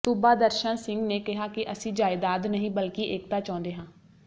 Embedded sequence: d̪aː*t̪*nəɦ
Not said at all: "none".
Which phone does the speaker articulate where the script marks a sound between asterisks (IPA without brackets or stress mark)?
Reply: d̪